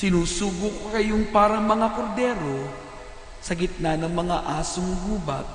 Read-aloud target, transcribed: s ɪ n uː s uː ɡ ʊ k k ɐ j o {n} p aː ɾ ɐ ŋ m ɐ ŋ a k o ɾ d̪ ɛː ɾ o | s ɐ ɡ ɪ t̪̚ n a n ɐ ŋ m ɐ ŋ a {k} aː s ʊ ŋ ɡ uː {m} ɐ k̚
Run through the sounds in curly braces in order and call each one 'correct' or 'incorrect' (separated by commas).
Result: incorrect, incorrect, incorrect